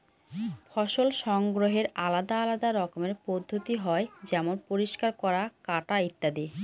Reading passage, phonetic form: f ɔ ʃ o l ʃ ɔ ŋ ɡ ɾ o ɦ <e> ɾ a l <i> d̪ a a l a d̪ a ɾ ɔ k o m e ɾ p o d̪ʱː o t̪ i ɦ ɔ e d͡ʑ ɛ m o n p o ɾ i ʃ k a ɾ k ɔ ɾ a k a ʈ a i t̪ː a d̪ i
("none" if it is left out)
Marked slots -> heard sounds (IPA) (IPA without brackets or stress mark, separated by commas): e, a